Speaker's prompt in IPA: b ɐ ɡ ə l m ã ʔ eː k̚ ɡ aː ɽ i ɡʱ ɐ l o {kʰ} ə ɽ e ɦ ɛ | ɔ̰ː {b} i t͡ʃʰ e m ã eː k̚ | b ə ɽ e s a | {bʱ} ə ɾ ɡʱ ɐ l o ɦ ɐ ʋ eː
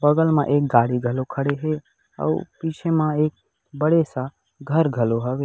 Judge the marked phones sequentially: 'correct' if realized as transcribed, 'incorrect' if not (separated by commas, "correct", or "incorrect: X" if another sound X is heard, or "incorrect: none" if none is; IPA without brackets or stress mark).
correct, incorrect: p, incorrect: ɡʱ